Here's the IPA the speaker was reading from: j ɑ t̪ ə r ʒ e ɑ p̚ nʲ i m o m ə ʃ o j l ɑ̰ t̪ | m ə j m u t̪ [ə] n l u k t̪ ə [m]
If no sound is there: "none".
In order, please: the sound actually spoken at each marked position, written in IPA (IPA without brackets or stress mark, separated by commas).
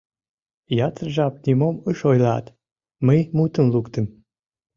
ə, m